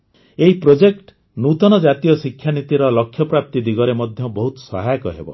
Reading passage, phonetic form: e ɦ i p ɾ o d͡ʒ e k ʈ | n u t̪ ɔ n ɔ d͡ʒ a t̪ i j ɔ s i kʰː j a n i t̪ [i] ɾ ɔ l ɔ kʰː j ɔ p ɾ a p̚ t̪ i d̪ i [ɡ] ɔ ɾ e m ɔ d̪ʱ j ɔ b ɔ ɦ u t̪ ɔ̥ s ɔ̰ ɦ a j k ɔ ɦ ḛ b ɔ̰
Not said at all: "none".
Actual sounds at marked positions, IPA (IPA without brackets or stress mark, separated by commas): i, ɡ